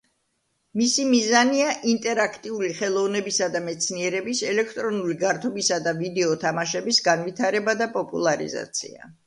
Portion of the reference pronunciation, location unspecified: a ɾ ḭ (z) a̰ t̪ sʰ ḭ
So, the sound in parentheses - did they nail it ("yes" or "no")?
yes